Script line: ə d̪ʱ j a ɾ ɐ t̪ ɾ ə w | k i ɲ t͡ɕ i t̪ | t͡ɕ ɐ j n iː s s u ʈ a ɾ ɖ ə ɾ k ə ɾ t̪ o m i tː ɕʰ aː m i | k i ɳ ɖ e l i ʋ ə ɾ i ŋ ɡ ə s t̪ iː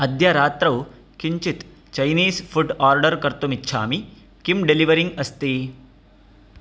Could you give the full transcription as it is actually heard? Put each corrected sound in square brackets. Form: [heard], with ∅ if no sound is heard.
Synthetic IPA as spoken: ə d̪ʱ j a ɾ [a] t̪ ɾ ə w | k i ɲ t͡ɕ i t̪ | t͡ɕ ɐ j n iː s [f] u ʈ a ɾ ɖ ə ɾ k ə ɾ t̪ o m i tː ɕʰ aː m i | k i [m] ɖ e l i ʋ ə ɾ i ŋ ɡ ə s t̪ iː